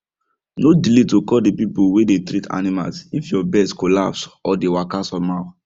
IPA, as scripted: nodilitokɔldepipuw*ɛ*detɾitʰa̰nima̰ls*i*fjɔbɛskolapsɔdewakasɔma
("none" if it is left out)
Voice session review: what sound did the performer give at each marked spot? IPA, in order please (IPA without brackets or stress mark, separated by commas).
e, i